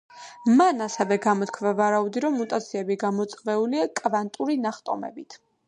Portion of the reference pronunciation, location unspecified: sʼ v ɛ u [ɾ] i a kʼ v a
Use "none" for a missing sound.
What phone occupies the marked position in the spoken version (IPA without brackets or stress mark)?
l